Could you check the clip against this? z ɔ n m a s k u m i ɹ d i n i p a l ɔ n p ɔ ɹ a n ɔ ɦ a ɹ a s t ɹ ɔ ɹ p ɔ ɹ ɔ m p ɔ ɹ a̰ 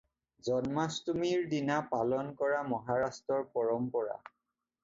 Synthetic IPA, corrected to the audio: z ɔ n m a s t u m i ɹ d i n a p a l ɔ n k ɔ ɹ a m ɔ ɦ a ɹ a s t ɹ ɔ ɹ p ɔ ɹ ɔ m p ɔ ɹ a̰